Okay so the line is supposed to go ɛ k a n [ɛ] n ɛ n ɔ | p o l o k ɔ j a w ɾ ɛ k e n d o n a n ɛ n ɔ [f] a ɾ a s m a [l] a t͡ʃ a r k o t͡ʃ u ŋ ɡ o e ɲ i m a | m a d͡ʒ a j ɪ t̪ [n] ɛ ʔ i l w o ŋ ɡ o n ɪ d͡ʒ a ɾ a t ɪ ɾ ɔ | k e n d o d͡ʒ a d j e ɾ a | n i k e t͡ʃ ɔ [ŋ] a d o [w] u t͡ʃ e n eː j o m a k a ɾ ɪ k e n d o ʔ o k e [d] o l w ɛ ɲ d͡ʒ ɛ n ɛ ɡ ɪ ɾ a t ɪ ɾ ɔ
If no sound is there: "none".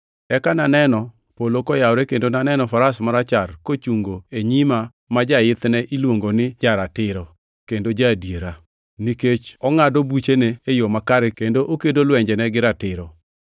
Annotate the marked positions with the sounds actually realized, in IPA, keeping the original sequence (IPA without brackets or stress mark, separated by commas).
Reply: a, f, ɾ, n, ŋ, b, d